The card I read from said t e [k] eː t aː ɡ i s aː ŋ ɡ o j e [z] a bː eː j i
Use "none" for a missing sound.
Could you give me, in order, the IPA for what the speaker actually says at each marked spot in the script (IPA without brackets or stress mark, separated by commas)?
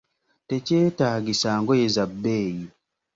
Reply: c, z